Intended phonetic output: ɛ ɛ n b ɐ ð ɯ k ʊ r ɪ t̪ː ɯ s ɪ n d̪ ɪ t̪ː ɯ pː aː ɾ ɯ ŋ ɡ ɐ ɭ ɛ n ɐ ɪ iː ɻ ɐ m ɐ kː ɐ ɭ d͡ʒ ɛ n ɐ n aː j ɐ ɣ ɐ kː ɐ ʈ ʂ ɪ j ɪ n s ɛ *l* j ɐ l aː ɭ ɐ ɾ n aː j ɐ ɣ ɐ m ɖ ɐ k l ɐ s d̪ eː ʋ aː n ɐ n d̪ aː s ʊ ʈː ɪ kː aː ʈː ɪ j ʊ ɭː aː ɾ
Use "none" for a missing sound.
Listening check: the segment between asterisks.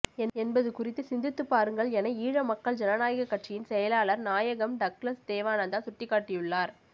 none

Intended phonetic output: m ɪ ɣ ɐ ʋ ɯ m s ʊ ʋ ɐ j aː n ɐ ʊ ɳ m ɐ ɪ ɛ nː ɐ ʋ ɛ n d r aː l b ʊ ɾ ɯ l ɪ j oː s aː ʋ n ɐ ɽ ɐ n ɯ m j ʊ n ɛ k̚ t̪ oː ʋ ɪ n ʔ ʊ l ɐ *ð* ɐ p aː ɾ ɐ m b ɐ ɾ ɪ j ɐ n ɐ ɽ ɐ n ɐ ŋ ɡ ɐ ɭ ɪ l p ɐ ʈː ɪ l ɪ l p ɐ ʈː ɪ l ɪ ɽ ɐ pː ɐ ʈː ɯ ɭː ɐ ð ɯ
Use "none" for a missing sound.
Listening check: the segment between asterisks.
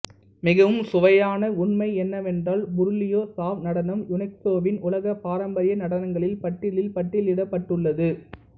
ɣ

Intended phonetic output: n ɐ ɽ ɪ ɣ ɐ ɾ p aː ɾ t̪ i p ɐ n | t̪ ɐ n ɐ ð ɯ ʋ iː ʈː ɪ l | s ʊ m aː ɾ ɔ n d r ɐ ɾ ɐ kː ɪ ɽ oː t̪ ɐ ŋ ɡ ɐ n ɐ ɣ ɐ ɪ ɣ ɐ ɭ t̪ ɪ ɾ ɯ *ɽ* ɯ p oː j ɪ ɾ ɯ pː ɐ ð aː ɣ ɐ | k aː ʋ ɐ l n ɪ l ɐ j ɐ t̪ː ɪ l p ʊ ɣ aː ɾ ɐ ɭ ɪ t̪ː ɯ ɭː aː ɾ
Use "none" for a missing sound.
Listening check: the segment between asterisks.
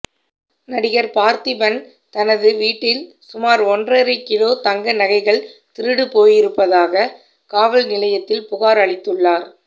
ɽ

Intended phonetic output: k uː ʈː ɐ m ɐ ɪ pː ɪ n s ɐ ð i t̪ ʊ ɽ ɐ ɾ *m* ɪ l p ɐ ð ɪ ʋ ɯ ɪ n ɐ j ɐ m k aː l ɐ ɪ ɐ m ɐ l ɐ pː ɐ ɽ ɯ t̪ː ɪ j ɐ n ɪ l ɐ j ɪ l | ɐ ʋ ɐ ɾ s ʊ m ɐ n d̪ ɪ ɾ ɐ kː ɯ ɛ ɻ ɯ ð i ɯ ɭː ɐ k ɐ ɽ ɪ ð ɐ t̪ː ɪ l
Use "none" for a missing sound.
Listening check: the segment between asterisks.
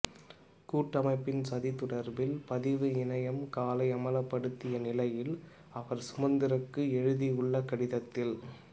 b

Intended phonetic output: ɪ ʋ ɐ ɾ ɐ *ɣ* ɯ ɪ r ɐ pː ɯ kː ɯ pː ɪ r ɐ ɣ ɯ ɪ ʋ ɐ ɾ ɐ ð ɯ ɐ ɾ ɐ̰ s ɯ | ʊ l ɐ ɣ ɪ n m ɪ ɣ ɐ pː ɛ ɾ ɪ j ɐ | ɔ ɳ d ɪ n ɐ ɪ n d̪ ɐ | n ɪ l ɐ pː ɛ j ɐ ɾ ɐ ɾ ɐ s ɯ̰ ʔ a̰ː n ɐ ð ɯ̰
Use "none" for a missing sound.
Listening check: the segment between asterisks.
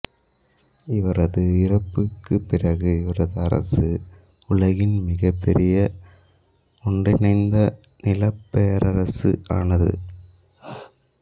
ð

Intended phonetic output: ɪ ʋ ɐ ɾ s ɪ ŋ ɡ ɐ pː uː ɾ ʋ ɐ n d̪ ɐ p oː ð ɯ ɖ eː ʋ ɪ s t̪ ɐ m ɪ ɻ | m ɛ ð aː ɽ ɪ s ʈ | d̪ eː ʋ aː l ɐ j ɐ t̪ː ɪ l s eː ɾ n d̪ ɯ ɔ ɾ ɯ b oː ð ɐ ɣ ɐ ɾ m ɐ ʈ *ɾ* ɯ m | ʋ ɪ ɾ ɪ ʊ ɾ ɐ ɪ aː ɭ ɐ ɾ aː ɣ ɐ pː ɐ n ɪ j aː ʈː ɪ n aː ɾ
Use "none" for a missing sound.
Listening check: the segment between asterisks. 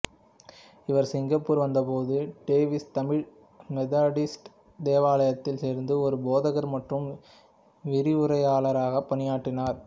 r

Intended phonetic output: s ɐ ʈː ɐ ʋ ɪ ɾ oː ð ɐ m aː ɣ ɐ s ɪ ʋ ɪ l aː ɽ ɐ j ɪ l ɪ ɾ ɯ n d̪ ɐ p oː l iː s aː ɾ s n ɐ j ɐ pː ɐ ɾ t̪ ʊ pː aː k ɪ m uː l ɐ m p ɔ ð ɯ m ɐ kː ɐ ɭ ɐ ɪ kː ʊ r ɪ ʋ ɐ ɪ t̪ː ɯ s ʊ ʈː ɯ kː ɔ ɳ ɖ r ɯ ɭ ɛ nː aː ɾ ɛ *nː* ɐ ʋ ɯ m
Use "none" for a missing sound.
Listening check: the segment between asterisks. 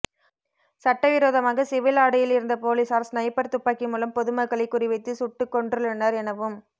n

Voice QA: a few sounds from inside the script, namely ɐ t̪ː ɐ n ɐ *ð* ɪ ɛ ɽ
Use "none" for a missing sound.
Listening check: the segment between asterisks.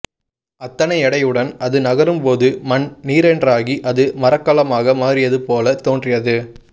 none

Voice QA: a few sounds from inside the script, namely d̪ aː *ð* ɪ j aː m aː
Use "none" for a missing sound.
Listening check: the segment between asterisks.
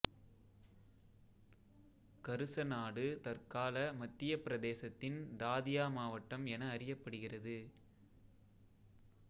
ð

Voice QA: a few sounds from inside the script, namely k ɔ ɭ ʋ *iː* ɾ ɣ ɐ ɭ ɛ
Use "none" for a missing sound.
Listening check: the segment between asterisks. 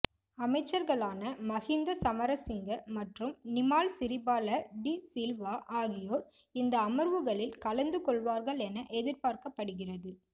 aː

